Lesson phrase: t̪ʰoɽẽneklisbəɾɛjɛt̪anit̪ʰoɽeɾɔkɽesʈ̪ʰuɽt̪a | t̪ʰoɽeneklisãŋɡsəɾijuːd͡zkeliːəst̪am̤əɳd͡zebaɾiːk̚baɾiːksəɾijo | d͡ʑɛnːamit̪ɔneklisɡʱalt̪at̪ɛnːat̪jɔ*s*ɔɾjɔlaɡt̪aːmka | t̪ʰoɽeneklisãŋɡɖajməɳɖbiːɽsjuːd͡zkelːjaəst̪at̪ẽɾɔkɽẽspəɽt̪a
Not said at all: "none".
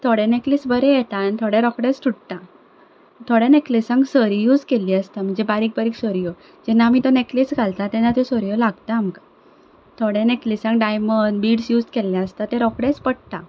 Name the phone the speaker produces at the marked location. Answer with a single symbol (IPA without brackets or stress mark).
s